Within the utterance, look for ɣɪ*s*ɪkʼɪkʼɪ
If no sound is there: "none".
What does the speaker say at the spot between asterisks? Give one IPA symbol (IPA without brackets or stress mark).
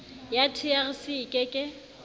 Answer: s